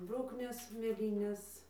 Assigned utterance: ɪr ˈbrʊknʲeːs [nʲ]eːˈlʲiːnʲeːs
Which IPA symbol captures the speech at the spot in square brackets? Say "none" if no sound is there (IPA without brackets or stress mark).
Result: mʲ